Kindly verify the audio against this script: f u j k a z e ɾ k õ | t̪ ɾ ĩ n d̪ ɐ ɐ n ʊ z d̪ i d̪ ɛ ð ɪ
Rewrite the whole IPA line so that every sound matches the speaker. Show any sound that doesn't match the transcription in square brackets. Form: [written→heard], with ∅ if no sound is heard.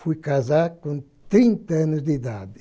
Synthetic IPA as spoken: f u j k a z [e→a] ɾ k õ | t̪ ɾ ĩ n [d̪→t̪] ɐ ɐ n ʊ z d̪ i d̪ [ɛ→a] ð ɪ